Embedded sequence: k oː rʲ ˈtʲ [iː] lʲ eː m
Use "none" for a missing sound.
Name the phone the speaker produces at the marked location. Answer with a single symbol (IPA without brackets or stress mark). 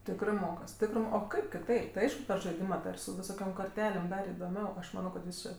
æː